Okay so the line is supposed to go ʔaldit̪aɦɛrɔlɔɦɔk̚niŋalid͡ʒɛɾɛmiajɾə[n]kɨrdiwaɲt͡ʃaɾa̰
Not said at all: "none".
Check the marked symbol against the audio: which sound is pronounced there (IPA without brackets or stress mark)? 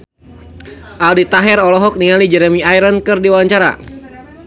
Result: n